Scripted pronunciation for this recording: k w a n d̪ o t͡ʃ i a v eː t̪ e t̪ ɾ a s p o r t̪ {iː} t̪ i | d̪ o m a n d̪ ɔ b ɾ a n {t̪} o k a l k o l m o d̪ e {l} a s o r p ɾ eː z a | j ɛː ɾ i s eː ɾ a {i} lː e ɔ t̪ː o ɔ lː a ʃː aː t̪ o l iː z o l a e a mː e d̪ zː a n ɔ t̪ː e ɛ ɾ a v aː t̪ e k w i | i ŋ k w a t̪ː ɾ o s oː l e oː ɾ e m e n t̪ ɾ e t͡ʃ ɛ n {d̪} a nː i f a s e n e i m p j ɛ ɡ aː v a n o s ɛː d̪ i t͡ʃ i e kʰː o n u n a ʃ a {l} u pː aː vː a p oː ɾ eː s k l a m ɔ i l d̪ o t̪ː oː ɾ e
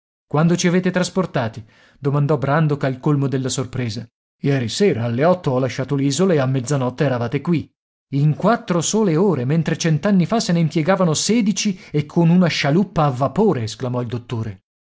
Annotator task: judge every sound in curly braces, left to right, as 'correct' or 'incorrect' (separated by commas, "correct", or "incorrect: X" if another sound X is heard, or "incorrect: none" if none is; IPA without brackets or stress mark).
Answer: incorrect: aː, incorrect: d̪, incorrect: lː, incorrect: a, incorrect: t̪, correct